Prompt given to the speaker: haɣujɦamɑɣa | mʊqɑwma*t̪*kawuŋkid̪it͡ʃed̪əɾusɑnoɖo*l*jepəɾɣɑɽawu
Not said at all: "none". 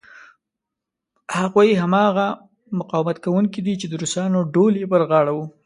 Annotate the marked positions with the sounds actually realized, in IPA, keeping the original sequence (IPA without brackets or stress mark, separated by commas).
t̪, l